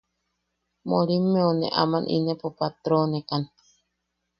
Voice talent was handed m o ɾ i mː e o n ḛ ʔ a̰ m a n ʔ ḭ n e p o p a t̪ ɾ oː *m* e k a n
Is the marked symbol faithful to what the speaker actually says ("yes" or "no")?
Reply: no